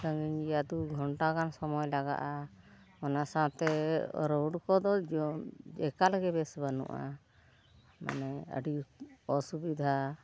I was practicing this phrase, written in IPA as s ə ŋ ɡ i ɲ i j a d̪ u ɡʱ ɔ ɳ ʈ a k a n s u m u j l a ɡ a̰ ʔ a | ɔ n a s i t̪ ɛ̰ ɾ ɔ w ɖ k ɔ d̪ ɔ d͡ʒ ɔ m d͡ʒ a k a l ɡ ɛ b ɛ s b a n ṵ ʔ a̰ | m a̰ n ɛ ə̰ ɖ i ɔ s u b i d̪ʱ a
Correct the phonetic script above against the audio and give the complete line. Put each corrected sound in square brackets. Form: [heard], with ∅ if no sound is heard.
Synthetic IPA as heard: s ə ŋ ɡ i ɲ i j a d̪ u ɡʱ ɔ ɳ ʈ a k a n s [ɔ] m [ɔ] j l a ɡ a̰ ʔ a | ɔ n a s [a] t̪ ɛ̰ ɾ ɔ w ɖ k ɔ d̪ ɔ d͡ʒ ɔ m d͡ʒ [ɛ] k a l ɡ ɛ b ɛ s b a n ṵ ʔ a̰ | m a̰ n ɛ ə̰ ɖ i ɔ s u b i d̪ʱ a

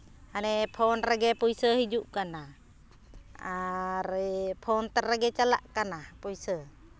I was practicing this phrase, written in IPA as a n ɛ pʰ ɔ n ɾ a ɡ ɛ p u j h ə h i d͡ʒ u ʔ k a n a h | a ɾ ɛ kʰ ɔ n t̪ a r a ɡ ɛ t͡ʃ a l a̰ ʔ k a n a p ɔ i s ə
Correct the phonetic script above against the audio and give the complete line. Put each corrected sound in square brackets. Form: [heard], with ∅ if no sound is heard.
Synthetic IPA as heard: a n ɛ pʰ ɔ n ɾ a ɡ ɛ p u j [s] ə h i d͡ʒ u ʔ k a n a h | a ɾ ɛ [pʰ] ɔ n t̪ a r a ɡ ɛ t͡ʃ a l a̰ ʔ k a n a p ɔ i s ə

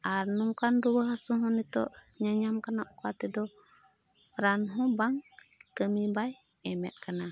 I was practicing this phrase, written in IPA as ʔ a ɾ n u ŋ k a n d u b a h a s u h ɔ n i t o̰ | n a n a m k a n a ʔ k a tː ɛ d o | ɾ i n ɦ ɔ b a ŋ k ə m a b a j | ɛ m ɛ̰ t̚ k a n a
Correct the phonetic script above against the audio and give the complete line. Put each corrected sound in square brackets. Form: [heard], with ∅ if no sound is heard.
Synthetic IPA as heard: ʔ a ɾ n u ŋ k a n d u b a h a s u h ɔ n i t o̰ | [ɲ] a [ɲ] a m k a n a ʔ k a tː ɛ d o | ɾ [a] n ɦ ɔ b a ŋ k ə m [i] b a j | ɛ m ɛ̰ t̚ k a n a

